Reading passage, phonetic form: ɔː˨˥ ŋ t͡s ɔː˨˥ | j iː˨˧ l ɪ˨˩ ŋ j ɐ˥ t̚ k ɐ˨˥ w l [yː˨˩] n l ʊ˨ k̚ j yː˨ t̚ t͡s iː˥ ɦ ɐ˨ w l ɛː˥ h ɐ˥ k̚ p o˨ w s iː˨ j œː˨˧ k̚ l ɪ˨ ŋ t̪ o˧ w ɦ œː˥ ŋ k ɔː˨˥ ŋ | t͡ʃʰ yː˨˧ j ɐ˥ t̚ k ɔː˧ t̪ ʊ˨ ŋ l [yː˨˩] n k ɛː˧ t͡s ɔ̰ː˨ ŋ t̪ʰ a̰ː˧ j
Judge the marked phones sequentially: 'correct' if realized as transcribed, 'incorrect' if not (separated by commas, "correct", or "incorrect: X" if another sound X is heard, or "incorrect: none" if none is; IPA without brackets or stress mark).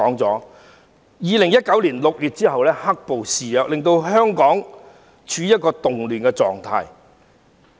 incorrect: iː˨˩, correct